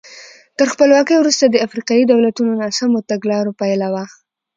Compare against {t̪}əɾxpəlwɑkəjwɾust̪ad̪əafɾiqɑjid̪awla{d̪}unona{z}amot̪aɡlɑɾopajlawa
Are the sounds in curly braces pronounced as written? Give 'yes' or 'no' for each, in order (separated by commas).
yes, no, no